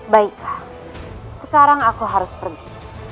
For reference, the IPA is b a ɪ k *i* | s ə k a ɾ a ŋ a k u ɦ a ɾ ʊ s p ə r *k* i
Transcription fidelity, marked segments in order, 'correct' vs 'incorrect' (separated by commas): incorrect, incorrect